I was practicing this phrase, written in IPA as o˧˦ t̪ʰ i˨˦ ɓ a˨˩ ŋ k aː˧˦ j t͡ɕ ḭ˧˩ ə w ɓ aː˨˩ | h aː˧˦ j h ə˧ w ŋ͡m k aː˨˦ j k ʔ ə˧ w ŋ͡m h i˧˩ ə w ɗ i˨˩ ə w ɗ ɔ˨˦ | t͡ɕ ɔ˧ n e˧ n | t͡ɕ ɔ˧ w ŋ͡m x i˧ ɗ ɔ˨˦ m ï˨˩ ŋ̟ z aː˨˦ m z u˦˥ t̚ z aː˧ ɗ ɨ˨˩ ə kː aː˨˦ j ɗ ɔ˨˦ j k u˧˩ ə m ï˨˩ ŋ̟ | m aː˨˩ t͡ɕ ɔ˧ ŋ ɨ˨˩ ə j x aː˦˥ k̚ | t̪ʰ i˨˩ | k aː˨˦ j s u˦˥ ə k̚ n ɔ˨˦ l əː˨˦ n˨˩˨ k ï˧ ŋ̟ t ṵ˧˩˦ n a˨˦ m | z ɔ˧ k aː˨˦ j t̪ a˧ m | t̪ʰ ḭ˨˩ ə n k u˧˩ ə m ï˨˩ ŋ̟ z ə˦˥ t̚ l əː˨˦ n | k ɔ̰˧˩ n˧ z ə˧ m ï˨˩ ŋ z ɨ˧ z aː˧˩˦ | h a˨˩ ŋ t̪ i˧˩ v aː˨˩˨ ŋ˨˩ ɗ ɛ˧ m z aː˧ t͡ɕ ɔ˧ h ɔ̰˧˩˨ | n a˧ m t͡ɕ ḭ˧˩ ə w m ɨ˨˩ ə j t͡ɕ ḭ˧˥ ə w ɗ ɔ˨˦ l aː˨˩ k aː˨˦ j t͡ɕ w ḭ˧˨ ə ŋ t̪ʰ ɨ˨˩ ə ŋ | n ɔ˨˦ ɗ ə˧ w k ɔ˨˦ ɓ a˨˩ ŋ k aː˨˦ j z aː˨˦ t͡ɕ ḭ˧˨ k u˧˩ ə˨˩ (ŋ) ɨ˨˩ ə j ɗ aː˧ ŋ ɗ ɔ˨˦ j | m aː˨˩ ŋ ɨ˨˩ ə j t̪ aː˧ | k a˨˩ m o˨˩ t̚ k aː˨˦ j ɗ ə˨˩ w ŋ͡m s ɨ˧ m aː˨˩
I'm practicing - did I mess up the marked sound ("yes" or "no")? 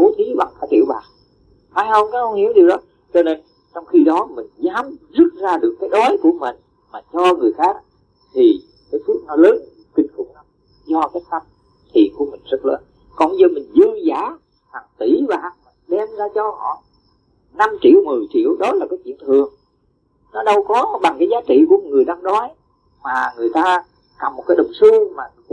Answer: no